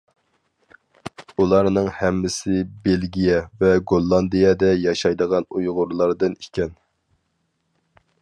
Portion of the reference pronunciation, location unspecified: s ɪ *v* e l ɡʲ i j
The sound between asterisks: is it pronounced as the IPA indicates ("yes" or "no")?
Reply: no